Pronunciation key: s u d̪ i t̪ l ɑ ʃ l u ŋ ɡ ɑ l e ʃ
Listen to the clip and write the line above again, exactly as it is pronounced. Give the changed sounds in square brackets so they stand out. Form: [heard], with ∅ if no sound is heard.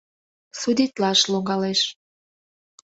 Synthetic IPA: s u d̪ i t̪ l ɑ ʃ l [o] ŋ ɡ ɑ l e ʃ

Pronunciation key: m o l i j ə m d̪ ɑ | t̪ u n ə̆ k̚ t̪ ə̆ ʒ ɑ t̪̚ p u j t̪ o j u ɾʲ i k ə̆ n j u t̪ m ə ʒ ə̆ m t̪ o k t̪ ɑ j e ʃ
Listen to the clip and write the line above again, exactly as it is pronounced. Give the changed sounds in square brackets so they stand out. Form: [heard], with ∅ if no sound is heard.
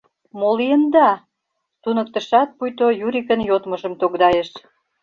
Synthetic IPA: m o l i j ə [n] d̪ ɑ | t̪ u n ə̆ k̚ t̪ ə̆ [ʃ] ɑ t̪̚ p u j t̪ o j u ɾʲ i k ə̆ n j [o] t̪ m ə ʒ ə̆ m t̪ o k [d̪] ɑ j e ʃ

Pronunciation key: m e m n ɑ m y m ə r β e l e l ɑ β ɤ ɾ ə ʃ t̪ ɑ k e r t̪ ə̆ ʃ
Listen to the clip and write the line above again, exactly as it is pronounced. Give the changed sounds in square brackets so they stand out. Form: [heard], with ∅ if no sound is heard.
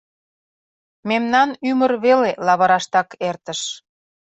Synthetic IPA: m e m n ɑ [n] y m ə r β e l e l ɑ β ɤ ɾ [ɑ] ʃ t̪ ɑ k e r t̪ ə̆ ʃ

